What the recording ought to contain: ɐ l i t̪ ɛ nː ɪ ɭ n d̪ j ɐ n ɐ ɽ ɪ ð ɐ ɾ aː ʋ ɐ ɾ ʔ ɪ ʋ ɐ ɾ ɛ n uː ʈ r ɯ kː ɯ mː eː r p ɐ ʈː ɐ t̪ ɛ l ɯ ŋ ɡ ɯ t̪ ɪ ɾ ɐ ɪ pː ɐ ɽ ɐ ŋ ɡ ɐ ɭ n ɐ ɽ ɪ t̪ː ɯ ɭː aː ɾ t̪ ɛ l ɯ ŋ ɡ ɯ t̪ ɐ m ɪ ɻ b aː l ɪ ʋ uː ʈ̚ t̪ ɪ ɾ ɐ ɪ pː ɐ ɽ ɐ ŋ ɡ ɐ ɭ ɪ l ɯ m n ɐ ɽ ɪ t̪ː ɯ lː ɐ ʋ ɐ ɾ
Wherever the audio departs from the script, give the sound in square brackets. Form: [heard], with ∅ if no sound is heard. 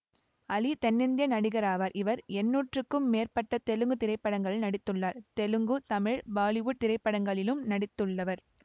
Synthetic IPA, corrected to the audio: ɐ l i t̪ ɛ nː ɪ [∅] n d̪ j ɐ n ɐ ɽ ɪ [ɣ] ɐ ɾ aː ʋ ɐ ɾ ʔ ɪ ʋ ɐ ɾ ɛ [nː] uː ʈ r ɯ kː ɯ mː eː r p ɐ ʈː ɐ t̪ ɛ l ɯ ŋ ɡ ɯ t̪ ɪ ɾ ɐ ɪ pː ɐ ɽ ɐ ŋ ɡ ɐ ɭ n ɐ ɽ ɪ t̪ː ɯ ɭː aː ɾ t̪ ɛ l ɯ ŋ ɡ ɯ t̪ ɐ m ɪ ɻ b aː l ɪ ʋ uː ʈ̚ t̪ ɪ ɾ ɐ ɪ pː ɐ ɽ ɐ ŋ ɡ ɐ ɭ ɪ l ɯ m n ɐ ɽ ɪ t̪ː ɯ [ɭː] ɐ ʋ ɐ ɾ